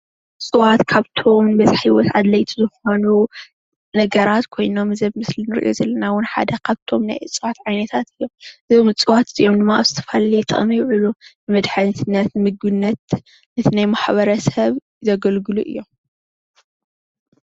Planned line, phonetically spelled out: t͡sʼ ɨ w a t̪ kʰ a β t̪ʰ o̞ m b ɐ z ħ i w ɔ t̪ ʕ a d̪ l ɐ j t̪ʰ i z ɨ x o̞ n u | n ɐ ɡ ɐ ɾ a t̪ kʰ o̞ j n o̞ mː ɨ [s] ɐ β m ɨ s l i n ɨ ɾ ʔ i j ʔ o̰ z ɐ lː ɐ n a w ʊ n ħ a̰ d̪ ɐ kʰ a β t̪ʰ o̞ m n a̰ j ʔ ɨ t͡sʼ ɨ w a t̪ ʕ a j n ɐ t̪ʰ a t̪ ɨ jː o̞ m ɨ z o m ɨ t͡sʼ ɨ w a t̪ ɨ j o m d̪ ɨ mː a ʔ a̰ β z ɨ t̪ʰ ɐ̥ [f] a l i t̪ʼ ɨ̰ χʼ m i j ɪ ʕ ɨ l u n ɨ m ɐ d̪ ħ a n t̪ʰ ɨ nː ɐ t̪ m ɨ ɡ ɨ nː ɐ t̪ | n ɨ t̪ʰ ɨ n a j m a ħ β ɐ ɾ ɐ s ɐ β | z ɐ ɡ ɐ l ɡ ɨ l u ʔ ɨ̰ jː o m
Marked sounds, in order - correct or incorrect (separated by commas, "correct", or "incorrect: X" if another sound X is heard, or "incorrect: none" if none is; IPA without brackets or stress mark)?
incorrect: z, correct